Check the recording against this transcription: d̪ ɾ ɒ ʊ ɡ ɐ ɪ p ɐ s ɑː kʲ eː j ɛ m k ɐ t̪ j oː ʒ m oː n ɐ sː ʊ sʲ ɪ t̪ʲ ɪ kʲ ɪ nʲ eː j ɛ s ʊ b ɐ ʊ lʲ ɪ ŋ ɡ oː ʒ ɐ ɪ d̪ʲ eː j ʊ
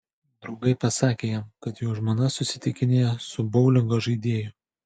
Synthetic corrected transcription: d̪ ɾ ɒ ʊ ɡ ɐ ɪ p ɐ s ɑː kʲ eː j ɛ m k ɐ t̪ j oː ʒ m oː n ɐ s ʊ sʲ ɪ t̪ʲ ɪ kʲ ɪ nʲ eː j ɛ s ʊ b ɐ ʊ lʲ ɪ ŋ ɡ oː ʒ ɐ ɪ d̪ʲ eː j ʊ